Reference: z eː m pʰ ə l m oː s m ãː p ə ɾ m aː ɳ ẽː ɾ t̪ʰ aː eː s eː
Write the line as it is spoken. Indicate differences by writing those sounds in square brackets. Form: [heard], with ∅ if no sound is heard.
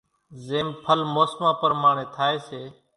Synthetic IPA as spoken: z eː m pʰ ə l m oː s m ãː p ə ɾ m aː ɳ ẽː [∅] t̪ʰ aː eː s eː